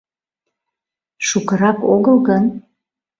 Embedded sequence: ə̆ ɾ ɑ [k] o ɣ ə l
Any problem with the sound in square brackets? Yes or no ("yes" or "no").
no